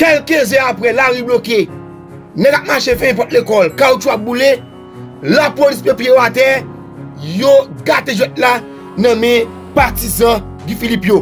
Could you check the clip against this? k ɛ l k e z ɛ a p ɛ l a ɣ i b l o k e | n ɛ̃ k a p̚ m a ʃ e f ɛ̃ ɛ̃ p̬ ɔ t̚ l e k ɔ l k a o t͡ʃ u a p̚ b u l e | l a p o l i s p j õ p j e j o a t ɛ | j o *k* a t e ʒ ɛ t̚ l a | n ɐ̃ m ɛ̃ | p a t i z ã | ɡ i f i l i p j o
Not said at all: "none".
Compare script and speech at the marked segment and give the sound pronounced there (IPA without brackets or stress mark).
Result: ɡ